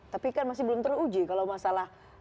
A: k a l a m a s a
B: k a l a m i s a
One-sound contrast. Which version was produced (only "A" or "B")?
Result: A